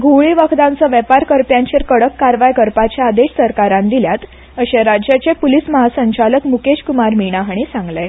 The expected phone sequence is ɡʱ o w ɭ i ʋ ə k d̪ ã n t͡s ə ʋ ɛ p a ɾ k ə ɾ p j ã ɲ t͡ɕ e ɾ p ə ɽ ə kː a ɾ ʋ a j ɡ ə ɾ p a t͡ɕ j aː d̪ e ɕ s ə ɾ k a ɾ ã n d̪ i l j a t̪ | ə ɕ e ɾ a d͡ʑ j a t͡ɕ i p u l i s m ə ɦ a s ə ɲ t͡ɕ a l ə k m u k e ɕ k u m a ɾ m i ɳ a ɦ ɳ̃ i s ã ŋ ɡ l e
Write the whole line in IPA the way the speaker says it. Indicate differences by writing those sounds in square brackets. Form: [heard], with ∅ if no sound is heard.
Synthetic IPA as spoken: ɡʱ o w ɭ i ʋ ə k d̪ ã n t͡s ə ʋ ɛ p a ɾ k ə ɾ p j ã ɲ t͡ɕ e ɾ [k] ə ɽ ə kː a ɾ ʋ a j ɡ ə ɾ p a t͡ɕ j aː d̪ e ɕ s ə ɾ k a ɾ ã n d̪ i l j a t̪ | ə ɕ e ɾ a d͡ʑ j a t͡ɕ [e] p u l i s m ə ɦ a s ə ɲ t͡ɕ a l ə k m u k e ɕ k u m a ɾ m i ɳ a ɦ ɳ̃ i s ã ŋ ɡ l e